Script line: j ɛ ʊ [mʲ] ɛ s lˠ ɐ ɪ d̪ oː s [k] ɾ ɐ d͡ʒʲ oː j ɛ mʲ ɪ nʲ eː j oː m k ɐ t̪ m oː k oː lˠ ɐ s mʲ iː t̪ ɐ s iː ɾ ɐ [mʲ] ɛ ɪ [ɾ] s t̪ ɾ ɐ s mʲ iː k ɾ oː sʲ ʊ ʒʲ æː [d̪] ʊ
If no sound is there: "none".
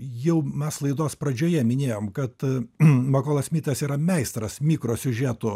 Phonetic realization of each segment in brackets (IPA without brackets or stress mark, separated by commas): mʲ, p, mʲ, none, t̪